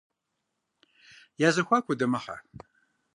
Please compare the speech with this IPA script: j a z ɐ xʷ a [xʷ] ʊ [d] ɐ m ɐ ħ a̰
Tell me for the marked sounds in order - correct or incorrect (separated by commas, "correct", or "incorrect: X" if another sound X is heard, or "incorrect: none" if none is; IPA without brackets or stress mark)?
incorrect: kʷ, correct